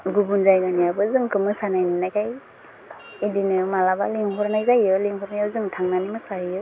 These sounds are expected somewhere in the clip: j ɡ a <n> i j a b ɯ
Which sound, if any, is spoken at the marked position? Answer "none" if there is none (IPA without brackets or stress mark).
n